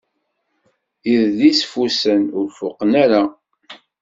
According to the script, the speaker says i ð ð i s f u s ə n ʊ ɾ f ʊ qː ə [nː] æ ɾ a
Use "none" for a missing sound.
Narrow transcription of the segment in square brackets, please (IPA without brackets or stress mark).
n